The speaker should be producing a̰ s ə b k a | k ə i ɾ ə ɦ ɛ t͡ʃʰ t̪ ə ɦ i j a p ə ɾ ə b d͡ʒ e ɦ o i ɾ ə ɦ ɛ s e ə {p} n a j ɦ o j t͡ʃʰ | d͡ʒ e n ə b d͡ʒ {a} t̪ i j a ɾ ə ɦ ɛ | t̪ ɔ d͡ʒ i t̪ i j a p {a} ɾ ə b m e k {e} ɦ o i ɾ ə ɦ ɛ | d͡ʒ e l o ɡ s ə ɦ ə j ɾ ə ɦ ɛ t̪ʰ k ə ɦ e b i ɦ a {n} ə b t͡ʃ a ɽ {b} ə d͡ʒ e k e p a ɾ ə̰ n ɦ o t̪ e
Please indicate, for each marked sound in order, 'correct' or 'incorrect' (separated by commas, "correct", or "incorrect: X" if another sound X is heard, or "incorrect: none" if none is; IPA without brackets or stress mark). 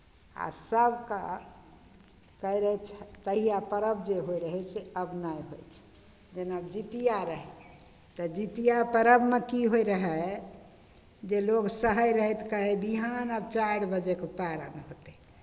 incorrect: b, incorrect: i, incorrect: ə, incorrect: i, correct, correct